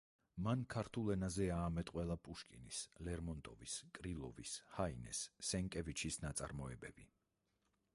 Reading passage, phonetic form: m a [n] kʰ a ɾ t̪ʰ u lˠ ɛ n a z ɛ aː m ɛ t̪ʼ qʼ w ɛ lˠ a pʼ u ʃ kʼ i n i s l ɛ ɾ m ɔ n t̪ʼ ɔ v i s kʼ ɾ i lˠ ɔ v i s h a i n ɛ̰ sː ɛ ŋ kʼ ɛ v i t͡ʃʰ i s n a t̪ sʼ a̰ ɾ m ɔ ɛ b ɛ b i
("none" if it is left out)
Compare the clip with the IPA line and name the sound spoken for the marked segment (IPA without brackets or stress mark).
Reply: n